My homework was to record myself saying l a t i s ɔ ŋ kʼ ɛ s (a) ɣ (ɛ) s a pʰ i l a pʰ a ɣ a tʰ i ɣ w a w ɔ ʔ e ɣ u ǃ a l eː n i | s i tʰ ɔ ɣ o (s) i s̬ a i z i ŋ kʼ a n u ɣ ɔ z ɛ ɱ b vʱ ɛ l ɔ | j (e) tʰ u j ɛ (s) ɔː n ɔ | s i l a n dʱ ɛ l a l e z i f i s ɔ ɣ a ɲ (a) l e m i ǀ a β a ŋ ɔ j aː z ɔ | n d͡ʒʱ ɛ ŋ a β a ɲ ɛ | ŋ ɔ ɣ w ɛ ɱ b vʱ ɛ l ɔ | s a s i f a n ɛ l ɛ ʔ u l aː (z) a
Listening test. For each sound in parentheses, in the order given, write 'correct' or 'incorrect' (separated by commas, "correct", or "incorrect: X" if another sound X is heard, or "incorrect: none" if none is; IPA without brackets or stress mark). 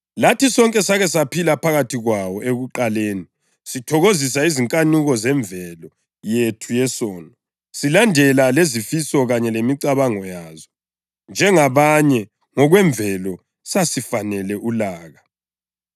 correct, correct, incorrect: z, correct, correct, incorrect: ɛ, incorrect: ɣ